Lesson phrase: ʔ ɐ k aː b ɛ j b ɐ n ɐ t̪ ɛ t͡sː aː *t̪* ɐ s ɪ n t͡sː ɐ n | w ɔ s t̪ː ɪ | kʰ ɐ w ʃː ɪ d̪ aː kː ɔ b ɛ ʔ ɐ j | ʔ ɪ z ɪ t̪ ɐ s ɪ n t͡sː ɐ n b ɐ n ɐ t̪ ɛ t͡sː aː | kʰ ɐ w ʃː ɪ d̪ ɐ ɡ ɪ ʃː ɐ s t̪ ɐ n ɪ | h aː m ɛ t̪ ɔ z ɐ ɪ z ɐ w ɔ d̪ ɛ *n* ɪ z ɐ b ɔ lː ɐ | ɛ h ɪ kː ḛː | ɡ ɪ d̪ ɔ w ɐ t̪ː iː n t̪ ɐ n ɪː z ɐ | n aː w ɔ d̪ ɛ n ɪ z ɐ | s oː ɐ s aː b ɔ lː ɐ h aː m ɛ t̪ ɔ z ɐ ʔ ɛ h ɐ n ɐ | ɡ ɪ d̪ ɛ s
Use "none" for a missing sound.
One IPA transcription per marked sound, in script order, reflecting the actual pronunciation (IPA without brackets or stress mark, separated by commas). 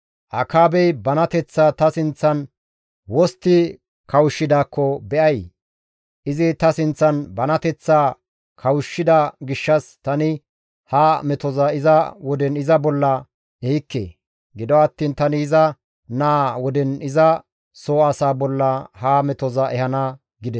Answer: t̪, n